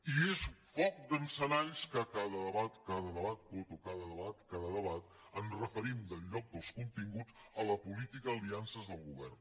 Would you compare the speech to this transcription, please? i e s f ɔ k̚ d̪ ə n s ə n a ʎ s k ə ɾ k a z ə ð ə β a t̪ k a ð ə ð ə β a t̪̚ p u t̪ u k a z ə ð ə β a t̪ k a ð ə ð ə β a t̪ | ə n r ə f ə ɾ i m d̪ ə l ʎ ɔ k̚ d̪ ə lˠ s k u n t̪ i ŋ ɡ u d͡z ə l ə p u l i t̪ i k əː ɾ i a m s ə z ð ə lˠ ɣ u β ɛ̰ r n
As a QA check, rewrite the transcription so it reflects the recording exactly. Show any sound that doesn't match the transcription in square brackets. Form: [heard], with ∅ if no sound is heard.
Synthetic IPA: i e s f ɔ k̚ d̪ ə n s ə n a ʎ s k ə [∅] k a [ð] ə ð ə β a t̪ k a ð ə ð ə β a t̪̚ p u t̪ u k a [ð] ə ð ə β a t̪ k a ð ə ð ə β a t̪ | ə n r ə f ə ɾ i m d̪ ə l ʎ ɔ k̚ d̪ ə lˠ s k u n t̪ i ŋ ɡ u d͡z ə l ə p u l i t̪ i k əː [l] i a [n] s ə z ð ə lˠ ɣ u β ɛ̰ r n